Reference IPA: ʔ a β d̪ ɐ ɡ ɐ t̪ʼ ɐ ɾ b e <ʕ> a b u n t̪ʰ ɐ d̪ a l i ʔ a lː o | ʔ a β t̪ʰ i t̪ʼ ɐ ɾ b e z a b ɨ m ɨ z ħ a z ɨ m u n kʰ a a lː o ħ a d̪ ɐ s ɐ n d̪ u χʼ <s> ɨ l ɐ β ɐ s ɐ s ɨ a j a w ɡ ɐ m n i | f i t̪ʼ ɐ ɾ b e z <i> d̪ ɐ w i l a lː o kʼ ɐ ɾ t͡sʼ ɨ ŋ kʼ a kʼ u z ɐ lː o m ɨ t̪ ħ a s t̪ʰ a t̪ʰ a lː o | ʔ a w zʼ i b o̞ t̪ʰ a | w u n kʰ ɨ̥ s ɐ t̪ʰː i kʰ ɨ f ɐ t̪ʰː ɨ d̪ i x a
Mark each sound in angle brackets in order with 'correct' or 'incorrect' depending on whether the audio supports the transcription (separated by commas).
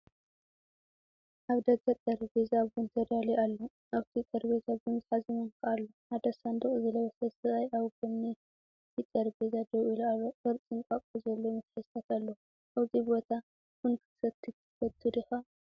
incorrect, incorrect, incorrect